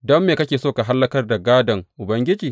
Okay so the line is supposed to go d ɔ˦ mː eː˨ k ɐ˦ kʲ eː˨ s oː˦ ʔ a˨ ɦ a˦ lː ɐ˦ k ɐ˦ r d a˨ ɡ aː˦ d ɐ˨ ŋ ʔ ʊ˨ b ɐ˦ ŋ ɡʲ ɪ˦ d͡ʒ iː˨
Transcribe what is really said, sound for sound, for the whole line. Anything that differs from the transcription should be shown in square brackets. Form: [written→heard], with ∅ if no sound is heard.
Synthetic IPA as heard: d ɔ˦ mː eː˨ k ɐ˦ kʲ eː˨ s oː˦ [ʔ→k] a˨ ɦ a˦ lː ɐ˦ k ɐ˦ r d a˨ ɡ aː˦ d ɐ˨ ŋ ʔ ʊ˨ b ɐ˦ ŋ ɡʲ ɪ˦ d͡ʒ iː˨